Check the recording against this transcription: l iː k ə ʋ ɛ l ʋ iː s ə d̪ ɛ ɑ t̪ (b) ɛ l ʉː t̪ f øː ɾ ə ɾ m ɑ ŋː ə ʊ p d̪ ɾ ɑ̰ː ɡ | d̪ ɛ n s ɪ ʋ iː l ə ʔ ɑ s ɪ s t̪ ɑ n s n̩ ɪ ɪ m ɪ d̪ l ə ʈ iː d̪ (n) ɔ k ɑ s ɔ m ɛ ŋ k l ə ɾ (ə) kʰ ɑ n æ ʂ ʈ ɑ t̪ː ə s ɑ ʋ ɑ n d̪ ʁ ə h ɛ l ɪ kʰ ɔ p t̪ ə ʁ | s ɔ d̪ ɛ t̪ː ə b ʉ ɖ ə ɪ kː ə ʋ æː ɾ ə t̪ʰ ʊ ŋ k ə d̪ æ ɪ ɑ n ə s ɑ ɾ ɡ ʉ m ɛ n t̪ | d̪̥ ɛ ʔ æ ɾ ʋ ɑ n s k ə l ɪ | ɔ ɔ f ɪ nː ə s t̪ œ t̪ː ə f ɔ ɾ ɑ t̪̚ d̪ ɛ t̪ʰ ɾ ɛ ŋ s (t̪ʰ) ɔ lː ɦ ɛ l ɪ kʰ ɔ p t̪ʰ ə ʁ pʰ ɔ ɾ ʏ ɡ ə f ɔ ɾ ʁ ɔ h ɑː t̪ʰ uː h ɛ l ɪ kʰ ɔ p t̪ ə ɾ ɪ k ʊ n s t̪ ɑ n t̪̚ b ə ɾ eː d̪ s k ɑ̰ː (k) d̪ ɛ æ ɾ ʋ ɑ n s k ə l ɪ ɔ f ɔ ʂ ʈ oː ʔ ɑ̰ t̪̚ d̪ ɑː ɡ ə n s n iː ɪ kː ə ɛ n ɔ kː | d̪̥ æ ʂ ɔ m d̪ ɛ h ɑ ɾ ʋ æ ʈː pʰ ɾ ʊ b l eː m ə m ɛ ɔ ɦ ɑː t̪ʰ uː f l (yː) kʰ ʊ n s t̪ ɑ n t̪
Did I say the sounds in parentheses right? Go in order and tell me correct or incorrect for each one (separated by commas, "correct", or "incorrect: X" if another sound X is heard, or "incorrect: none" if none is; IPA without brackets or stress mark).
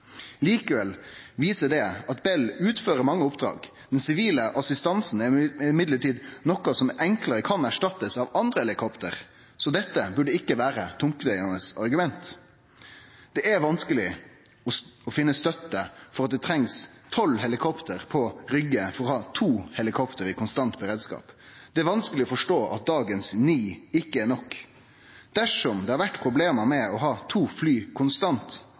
correct, correct, correct, correct, incorrect: p, correct